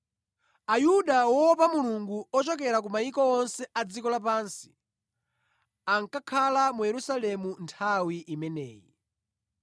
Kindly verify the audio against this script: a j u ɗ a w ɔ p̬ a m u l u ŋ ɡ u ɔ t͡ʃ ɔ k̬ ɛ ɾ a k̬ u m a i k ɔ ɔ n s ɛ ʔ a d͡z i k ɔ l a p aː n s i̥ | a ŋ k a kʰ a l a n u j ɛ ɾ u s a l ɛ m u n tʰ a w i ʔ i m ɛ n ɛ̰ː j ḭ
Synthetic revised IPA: a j u ɗ a w ɔ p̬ a m u l u ŋ ɡ u ɔ t͡ʃ ɔ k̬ ɛ ɾ a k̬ u m a i k ɔ ɔ n s ɛ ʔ a d͡z i k ɔ l a p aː n s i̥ | a ŋ k a kʰ a l a m u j ɛ ɾ u s a l ɛ m u n tʰ a w i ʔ i m ɛ n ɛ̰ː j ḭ